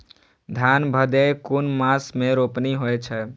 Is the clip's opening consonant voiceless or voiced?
voiced